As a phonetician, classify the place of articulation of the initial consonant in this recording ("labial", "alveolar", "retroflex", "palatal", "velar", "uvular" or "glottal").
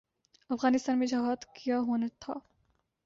labial